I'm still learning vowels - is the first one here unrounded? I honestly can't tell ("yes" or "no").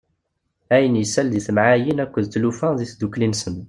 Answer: yes